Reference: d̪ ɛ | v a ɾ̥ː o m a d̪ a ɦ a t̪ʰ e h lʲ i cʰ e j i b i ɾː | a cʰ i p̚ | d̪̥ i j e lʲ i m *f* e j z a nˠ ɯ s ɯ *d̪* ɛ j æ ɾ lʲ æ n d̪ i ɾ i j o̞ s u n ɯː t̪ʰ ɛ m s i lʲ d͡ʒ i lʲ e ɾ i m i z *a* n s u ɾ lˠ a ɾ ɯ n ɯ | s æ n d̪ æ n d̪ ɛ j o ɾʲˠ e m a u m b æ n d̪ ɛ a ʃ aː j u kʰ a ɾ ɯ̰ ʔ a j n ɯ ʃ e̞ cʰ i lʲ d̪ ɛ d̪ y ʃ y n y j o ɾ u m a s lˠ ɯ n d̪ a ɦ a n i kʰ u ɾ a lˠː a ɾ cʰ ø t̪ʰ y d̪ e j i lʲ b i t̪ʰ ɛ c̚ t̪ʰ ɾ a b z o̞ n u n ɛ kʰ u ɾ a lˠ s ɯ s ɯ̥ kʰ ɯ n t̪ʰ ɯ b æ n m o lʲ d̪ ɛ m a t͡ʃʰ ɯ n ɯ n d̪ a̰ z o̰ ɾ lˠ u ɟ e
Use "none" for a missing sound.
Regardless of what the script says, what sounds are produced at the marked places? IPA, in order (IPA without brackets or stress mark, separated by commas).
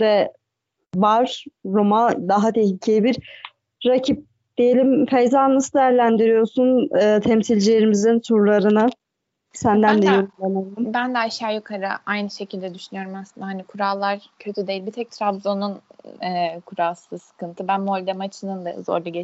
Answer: f, d̪, i